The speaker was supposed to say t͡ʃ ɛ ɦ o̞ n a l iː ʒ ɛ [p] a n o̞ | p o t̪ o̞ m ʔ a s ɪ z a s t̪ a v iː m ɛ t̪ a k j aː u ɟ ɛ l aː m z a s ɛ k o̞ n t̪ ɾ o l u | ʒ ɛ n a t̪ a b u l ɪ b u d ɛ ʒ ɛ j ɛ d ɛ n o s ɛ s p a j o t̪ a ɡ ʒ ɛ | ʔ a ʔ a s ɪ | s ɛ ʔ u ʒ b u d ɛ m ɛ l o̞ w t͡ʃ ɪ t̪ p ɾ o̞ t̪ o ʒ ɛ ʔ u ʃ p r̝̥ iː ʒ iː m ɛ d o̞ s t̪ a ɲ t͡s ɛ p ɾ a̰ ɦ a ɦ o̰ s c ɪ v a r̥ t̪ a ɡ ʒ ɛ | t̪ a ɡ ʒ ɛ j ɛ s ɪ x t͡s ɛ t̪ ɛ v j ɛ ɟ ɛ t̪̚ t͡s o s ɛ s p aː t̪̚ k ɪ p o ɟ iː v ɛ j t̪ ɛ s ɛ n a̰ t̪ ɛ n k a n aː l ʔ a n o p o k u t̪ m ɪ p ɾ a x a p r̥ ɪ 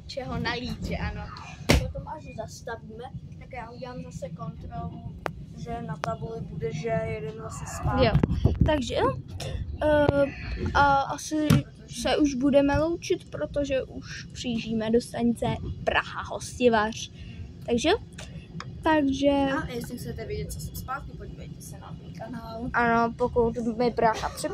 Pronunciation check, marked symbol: incorrect: ʔ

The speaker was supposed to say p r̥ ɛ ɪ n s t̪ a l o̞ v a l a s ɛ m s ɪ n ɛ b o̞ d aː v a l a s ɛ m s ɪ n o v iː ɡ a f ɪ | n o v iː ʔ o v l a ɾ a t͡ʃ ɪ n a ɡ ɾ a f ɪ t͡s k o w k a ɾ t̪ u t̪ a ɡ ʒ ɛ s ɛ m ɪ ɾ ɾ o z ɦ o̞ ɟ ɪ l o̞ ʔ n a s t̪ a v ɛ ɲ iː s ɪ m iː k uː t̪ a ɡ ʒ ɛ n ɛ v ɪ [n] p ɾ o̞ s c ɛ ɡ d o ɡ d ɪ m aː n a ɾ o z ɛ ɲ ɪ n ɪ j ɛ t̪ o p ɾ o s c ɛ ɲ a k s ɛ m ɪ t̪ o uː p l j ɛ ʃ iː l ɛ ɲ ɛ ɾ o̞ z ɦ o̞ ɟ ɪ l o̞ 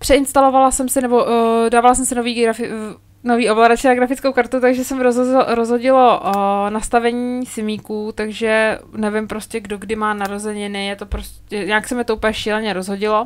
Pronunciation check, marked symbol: incorrect: m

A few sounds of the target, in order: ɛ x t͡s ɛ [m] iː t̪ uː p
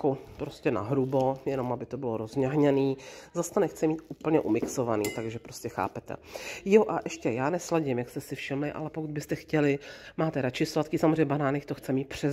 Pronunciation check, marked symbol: correct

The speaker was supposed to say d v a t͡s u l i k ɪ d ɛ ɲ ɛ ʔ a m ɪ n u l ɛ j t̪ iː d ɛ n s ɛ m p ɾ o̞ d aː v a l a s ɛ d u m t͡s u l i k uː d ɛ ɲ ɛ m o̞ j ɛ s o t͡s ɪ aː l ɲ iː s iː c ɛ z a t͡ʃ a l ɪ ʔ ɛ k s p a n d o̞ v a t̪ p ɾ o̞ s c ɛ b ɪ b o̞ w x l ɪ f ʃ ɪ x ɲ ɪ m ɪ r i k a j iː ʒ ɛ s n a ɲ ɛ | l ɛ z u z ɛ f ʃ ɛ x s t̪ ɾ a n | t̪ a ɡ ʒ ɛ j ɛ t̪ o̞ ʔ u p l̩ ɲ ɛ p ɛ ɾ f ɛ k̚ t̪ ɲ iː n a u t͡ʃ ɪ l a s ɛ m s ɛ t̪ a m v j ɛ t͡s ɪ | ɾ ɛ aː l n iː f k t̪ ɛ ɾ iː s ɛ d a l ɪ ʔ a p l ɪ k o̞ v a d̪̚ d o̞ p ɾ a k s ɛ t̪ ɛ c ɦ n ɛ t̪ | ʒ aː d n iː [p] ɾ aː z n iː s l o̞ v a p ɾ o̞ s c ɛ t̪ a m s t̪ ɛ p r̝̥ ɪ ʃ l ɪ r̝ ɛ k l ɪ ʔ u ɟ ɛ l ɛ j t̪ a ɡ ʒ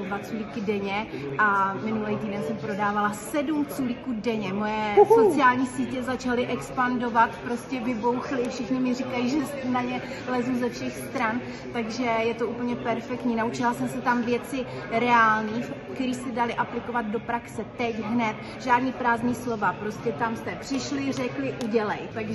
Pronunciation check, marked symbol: correct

